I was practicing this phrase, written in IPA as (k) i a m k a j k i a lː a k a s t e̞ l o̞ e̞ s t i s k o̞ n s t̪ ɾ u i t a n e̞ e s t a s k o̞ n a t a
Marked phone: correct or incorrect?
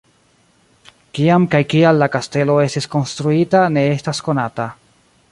correct